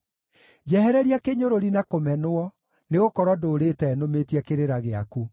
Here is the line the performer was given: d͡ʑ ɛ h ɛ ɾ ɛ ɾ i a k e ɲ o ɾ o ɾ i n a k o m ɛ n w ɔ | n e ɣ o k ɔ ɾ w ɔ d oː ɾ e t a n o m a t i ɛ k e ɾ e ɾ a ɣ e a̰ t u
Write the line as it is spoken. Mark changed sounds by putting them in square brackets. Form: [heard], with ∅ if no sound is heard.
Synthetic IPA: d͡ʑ ɛ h ɛ ɾ ɛ ɾ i a k e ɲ o ɾ o ɾ i n a k o m ɛ n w ɔ | n e ɣ o k ɔ ɾ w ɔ d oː ɾ e t [ɛ] n o m [e] t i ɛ k e ɾ e ɾ a ɣ e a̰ [k] u